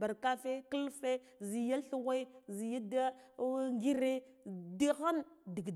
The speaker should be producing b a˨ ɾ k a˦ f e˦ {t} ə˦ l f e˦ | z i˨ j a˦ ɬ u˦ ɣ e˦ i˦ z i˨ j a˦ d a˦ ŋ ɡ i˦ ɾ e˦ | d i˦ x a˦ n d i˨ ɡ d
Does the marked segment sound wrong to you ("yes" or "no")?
yes